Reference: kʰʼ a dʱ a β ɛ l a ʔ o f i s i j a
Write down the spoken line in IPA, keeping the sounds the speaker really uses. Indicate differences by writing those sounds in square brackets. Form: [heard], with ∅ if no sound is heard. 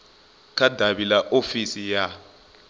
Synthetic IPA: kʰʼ a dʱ a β [i] l a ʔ o f i s i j a